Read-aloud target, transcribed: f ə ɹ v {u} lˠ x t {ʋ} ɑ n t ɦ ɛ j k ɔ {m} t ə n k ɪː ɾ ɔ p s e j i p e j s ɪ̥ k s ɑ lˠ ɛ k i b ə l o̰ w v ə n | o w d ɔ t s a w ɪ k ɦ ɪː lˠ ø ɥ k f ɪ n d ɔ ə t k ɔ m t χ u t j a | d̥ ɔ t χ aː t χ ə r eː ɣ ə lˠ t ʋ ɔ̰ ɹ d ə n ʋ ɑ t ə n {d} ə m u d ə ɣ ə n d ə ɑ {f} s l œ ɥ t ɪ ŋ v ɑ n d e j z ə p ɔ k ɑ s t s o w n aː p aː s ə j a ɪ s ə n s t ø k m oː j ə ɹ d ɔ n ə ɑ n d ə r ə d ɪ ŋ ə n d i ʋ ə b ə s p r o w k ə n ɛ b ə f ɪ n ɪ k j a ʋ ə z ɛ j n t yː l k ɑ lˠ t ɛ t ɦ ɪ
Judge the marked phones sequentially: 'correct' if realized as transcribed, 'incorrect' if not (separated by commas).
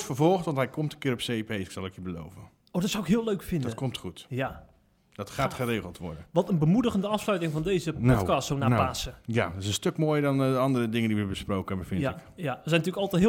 incorrect, correct, correct, incorrect, correct